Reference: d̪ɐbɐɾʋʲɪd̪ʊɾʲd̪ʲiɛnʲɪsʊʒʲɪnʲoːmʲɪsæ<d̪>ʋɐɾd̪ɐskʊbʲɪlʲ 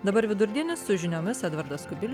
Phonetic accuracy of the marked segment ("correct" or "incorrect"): correct